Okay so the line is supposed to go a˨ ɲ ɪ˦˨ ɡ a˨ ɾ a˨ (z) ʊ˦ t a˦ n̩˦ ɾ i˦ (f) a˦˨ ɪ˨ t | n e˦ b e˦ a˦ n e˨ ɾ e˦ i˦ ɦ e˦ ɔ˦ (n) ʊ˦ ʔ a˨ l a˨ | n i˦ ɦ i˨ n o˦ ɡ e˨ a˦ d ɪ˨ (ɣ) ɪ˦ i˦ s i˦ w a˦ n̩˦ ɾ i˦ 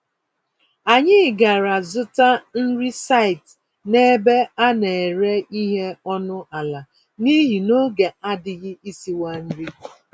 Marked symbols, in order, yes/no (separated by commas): yes, no, yes, yes